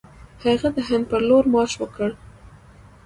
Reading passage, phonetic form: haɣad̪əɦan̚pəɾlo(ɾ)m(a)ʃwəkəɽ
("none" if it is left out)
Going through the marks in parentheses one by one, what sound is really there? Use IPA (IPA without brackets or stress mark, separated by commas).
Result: ɾ, ɑ